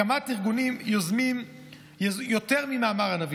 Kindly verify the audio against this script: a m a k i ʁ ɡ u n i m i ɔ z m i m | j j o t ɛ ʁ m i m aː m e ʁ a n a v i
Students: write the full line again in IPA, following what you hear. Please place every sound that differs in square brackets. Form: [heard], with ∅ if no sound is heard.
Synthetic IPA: a m a [t] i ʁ ɡ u n i m [j] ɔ z m i m | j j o t ɛ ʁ m i m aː m [a] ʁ a n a v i